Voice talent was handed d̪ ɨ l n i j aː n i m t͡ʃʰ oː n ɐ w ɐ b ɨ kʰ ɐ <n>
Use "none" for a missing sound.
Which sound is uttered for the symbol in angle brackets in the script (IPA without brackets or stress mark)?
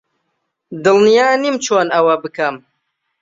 m